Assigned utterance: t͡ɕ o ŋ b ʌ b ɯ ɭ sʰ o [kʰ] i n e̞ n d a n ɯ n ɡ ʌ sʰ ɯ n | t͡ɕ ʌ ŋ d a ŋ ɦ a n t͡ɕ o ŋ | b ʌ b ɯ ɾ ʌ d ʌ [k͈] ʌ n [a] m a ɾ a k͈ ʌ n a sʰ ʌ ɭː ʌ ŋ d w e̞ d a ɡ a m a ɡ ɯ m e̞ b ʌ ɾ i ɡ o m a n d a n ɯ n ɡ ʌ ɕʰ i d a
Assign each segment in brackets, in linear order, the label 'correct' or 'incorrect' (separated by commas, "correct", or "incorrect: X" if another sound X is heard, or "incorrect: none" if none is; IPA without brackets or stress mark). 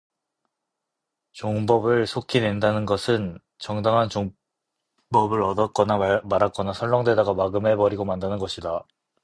correct, correct, correct